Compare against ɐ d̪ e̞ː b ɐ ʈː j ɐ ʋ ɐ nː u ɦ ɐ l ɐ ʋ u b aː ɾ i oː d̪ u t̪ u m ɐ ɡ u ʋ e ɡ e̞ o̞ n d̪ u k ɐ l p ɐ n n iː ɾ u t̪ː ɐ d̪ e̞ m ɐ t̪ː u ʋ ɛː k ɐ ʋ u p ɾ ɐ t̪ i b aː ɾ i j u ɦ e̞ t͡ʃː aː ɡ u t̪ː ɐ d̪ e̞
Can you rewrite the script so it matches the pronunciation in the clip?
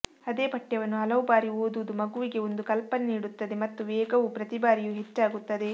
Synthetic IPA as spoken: ɐ d̪ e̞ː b ɐ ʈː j ɐ ʋ ɐ nː u ɦ ɐ l ɐ ʋ u b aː ɾ i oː d̪ u d̪ u m ɐ ɡ u ʋ i ɡ e̞ o̞ n d̪ u k ɐ l p ɐ n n iː ɽ u t̪ː ɐ d̪ e̞ m ɐ t̪ː u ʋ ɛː ɡ ɐ ʋ u p ɾ ɐ t̪ i b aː ɾ i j u ɦ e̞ t͡ʃː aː ɡ u t̪ː ɐ d̪ e̞

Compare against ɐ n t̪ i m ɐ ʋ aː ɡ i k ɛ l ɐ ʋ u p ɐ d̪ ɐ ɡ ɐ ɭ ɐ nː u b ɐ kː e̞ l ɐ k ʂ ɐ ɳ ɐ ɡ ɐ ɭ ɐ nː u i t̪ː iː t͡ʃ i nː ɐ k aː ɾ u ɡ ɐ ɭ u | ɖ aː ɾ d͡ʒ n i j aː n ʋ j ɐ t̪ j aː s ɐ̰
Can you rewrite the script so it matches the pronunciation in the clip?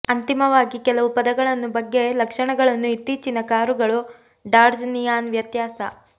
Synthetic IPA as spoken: ɐ n t̪ i m ɐ ʋ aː ɡ i k ɛ l ɐ ʋ u p ɐ d̪ ɐ ɡ ɐ ɭ ɐ nː u b ɐ ɡː e̞ l ɐ k ʂ ɐ ɳ ɐ ɡ ɐ ɭ ɐ nː u i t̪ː iː t͡ʃ i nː ɐ k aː ɾ u ɡ ɐ ɭ u | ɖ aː ɾ d͡ʒ n i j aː n ʋ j ɐ t̪ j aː s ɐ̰

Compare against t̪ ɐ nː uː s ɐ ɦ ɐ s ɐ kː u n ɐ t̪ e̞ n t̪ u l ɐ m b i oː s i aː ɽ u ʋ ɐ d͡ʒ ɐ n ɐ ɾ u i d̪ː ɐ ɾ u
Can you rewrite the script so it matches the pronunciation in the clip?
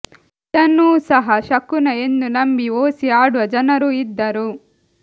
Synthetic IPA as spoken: t̪ ɐ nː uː s ɐ ɦ ɐ ʃ ɐ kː u n ɐ e̞ n d̪ u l ɐ m b i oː s i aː ɽ u ʋ ɐ d͡ʒ ɐ n ɐ ɾ u i d̪ː ɐ ɾ u

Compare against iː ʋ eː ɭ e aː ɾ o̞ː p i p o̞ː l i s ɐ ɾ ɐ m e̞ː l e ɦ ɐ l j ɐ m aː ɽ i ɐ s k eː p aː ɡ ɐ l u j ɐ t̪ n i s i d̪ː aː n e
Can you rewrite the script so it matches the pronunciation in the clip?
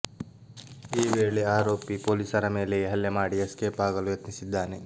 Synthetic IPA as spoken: iː ʋ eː ɭ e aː ɾ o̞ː p i p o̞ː l i s ɐ ɾ ɐ m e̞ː l e ɦ ɐ l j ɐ m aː ɽ i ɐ s k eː p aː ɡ ɐ l u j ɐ t̪ n i s i d̪ː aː n e

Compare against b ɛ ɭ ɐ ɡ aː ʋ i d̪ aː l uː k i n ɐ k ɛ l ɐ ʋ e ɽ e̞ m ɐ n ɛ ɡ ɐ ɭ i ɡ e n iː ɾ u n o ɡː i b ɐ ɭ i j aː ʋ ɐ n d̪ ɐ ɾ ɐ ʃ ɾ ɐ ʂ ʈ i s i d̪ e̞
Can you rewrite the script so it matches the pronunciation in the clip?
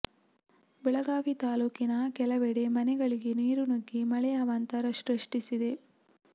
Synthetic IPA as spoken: b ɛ ɭ ɐ ɡ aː ʋ i t̪ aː l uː k i n ɐ k ɛ l ɐ ʋ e ɽ e̞ m ɐ n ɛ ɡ ɐ ɭ i ɡ e n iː ɾ u n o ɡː i m ɐ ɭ ɛ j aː ʋ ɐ n t̪ ɐ ɾ ɐ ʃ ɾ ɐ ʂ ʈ i s i d̪ e̞

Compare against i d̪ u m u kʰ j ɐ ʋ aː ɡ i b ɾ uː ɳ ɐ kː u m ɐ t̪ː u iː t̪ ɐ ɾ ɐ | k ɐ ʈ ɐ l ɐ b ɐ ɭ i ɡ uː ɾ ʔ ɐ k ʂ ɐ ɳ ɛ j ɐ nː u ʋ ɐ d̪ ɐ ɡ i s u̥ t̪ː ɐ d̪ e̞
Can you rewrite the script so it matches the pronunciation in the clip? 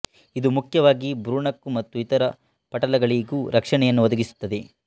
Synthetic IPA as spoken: i d̪ u m u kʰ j ɐ ʋ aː ɡ i b ɾ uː ɳ ɐ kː u m ɐ t̪ː u i t̪ ɐ ɾ ɐ | p ɐ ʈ ɐ l ɐ ɡ ɐ ɭ i ɡ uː ɾ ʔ ɐ k ʂ ɐ ɳ ɛ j ɐ nː u ʋ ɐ d̪ ɐ ɡ i s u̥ t̪ː ɐ d̪ e̞

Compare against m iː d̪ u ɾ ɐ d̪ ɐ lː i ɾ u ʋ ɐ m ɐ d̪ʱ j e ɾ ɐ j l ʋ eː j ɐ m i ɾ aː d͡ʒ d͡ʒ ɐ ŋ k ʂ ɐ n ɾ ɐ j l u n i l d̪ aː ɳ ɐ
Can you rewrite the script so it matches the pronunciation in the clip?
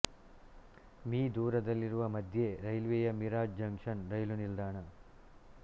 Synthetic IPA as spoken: m iː d̪ uː ɾ ɐ d̪ ɐ lː i ɾ u ʋ ɐ m ɐ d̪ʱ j e ɾ ɐ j l ʋ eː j ɐ m i ɾ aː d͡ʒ d͡ʒ ɐ ŋ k ʂ ɐ n ɾ ɐ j l u n i l d̪ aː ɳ ɐ

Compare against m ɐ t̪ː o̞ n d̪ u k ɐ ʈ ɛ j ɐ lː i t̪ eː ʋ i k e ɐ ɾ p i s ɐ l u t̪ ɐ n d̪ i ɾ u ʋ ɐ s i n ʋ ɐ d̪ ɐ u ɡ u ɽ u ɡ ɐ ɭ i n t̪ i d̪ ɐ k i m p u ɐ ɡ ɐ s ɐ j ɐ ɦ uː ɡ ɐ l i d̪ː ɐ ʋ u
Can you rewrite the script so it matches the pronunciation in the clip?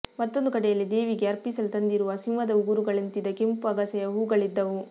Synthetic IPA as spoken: m ɐ t̪ː o̞ n d̪ u k ɐ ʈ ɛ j ɐ lː i d̪ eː ʋ i ɡ e ɐ ɾ p i s ɐ l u t̪ ɐ n d̪ i ɾ u ʋ ɐ s i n ʋ ɐ d̪ ɐ u ɡ u ɾ u ɡ ɐ ɭ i n t̪ i d̪ ɐ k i m p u ɐ ɡ ɐ s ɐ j ɐ ɦ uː ɡ ɐ ɭ i d̪ː ɐ ʋ u

